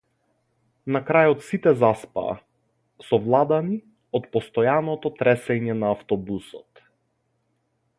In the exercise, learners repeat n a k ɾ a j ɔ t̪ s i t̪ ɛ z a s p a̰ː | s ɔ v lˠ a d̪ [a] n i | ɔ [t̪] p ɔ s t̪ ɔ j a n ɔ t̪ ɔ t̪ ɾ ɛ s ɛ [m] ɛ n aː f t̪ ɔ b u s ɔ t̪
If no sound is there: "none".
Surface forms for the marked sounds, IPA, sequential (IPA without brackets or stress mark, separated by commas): a, t̪, ɲ